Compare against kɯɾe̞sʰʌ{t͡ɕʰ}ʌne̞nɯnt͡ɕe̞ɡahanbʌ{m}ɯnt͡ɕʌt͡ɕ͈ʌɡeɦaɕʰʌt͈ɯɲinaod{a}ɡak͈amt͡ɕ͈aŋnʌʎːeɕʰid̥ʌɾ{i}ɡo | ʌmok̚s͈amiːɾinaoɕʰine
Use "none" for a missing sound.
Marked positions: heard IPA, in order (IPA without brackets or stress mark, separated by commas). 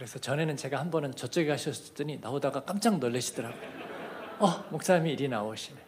t͡ɕ, n, a, a